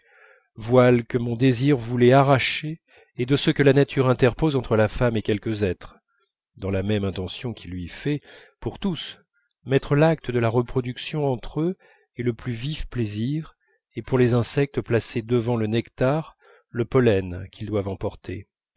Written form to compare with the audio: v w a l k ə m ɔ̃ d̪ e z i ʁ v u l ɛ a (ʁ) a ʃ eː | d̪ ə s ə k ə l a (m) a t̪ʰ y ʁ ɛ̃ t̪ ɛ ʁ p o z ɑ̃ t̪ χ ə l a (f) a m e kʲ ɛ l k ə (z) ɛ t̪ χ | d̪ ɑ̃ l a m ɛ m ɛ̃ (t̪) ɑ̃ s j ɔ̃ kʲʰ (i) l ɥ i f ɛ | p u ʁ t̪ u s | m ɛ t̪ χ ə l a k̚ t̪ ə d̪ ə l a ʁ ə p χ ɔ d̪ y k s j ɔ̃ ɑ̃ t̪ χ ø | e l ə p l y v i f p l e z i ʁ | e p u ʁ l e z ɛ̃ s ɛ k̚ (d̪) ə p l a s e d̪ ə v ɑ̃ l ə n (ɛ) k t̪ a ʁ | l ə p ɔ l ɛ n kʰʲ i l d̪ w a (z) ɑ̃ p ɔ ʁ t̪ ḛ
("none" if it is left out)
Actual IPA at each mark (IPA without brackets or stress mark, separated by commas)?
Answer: ʁ, n, f, z, t̪, i, t̪, ɛ, v